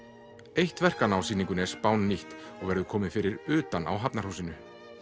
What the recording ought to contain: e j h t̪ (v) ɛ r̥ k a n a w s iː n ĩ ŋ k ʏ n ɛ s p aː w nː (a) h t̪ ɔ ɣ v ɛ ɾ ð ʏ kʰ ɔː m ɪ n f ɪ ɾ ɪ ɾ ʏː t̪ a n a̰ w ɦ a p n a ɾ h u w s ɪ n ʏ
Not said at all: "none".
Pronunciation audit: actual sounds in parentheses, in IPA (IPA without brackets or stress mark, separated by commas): v, i